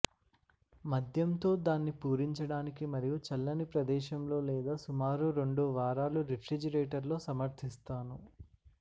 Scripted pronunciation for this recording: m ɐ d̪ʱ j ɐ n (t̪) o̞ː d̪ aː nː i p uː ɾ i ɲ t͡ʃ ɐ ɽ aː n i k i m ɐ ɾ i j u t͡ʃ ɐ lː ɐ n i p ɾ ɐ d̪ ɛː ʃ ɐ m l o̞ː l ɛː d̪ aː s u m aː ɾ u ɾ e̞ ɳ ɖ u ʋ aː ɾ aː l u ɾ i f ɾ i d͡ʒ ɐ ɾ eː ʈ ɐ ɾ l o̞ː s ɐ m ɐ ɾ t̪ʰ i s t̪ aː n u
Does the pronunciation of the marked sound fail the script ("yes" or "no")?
no